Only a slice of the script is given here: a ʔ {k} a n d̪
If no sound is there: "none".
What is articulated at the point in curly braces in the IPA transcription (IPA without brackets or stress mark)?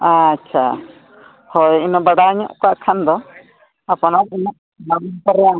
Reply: kʰ